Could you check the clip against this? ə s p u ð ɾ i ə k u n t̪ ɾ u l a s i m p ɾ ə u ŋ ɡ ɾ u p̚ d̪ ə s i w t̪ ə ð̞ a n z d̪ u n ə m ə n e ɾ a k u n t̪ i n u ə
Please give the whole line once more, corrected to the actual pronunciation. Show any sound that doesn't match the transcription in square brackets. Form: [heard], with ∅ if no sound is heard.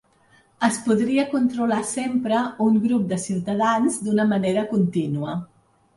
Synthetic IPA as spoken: ə s p u ð ɾ i ə k u n t̪ ɾ u l a s [e] m p ɾ ə u ŋ ɡ ɾ u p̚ d̪ ə s i w t̪ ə ð̞ a n z d̪ u n ə m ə n e ɾ [ə] k u n t̪ i n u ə